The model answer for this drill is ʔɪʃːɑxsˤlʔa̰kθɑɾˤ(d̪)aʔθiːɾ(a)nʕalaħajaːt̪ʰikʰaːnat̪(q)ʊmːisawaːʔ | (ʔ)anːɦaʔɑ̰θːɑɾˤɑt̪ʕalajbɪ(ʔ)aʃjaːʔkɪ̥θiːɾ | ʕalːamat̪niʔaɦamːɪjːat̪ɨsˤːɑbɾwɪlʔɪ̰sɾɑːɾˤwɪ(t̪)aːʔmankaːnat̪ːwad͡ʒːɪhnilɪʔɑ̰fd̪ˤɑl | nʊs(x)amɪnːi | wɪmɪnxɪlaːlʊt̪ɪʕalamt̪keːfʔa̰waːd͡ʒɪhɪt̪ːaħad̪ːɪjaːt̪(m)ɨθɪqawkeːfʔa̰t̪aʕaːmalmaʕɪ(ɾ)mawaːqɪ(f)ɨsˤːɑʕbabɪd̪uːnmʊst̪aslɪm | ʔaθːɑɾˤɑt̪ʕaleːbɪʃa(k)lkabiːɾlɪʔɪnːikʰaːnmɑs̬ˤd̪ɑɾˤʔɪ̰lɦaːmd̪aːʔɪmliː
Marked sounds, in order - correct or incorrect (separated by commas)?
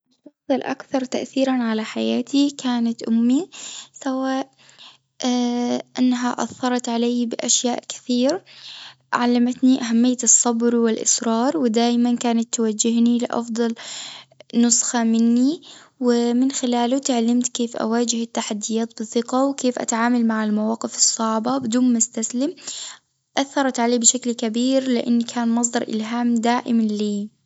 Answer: incorrect, correct, incorrect, correct, correct, incorrect, correct, incorrect, incorrect, correct, correct